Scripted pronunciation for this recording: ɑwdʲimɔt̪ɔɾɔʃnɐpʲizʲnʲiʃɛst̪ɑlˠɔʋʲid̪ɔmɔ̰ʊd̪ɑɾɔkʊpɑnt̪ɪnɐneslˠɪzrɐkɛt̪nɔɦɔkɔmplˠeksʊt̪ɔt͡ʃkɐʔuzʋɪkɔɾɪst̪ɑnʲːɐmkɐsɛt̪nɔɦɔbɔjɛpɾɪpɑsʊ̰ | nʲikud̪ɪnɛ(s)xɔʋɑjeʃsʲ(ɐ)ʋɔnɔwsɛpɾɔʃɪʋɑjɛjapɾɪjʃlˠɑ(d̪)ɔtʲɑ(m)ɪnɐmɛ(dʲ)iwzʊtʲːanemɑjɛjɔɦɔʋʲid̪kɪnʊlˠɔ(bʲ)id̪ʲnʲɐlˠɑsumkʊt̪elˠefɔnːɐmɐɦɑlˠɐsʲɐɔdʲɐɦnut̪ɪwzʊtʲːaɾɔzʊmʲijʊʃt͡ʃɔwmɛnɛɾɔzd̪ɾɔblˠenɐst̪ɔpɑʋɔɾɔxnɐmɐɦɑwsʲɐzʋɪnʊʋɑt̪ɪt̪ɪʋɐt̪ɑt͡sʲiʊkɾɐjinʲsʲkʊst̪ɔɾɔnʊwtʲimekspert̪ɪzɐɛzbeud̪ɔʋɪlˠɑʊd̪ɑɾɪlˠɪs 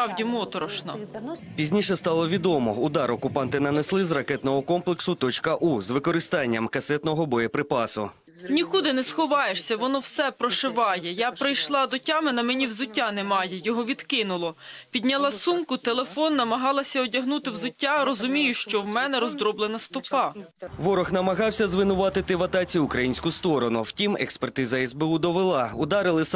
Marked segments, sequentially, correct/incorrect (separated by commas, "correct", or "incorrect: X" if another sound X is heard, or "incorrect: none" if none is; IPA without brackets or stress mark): correct, correct, correct, correct, incorrect: nʲ, incorrect: pʲ